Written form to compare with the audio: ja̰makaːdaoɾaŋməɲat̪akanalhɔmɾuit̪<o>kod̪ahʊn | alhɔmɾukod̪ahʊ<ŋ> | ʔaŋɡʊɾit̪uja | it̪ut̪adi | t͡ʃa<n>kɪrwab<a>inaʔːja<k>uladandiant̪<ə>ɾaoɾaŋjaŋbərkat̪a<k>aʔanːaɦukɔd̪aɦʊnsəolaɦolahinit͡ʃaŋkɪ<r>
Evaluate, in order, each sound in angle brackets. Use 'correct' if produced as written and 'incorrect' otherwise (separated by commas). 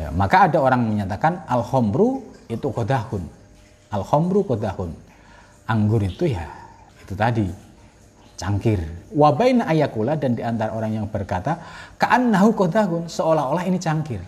incorrect, incorrect, incorrect, correct, correct, incorrect, correct, correct